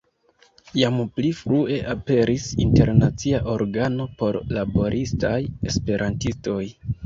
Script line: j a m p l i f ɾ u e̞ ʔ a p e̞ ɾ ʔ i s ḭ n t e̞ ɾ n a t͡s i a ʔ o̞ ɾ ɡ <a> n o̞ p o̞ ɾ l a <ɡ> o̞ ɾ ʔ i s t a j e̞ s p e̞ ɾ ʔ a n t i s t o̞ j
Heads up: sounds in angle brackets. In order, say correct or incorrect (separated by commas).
correct, incorrect